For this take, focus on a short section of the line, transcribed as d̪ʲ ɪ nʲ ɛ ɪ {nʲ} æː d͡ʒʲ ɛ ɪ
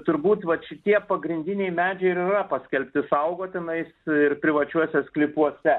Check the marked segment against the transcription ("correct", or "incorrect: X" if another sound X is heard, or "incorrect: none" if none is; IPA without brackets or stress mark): incorrect: mʲ